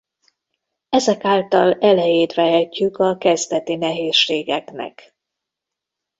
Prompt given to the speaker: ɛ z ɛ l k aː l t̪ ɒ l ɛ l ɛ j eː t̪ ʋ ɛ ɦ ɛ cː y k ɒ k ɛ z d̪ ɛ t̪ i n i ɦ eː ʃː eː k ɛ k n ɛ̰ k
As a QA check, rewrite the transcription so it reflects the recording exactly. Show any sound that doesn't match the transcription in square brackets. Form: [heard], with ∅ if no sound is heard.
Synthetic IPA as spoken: ɛ z ɛ [∅] k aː l t̪ ɒ l ɛ l ɛ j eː t̪ ʋ ɛ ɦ ɛ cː y k ɒ k ɛ z d̪ ɛ t̪ i n [ɛ] ɦ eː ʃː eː [ɡ] ɛ k n ɛ̰ k